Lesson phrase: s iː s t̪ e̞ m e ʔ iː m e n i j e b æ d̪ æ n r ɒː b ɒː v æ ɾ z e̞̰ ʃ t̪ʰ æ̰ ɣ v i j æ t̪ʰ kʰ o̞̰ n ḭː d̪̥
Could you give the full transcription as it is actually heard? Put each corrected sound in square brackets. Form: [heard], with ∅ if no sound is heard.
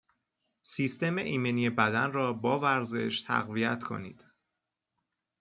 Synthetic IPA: s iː s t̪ e̞ m e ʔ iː m e n i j e b æ d̪ æ n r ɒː b ɒː v æ ɾ z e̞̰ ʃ t̪ʰ æ̰ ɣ v i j æ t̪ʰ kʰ o̞̰ n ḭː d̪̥